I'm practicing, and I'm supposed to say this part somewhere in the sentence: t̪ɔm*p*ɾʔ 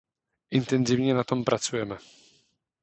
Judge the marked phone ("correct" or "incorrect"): correct